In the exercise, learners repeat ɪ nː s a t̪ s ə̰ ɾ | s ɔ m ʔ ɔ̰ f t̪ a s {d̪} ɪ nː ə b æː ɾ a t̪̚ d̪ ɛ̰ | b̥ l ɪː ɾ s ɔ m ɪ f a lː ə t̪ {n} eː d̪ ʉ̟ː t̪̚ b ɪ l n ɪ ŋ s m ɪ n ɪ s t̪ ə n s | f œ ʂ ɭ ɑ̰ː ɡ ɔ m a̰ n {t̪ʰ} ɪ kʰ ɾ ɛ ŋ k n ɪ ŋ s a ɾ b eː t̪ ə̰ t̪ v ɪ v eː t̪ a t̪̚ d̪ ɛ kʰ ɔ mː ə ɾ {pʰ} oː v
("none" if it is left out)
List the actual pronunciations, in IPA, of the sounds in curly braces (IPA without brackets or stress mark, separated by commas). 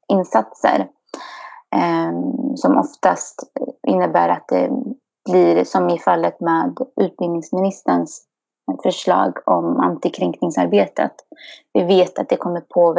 t̪, m, t̪, pʰ